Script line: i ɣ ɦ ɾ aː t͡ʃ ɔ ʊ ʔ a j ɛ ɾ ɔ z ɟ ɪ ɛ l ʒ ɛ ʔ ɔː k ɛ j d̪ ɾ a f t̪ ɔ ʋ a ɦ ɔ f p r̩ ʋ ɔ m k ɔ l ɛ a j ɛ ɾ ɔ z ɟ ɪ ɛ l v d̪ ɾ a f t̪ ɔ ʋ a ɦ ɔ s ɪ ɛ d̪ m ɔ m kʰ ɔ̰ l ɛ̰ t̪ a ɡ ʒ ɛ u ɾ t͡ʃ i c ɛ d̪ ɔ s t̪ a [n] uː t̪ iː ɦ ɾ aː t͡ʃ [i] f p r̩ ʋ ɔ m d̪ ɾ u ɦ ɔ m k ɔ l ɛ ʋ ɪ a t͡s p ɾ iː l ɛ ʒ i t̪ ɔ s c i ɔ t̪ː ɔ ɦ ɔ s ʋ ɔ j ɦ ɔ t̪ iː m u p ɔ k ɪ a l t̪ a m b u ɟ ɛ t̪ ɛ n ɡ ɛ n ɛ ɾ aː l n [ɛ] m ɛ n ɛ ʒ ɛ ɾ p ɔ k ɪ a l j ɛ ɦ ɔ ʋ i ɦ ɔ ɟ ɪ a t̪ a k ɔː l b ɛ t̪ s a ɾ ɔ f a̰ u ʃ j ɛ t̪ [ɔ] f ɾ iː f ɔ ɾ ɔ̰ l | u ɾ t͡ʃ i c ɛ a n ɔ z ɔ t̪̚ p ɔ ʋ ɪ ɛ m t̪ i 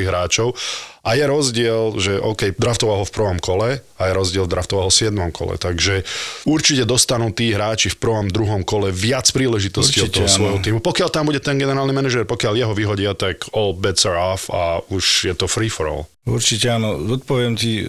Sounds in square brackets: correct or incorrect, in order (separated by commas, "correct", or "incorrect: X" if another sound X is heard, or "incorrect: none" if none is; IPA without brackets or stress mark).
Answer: correct, correct, incorrect: i, correct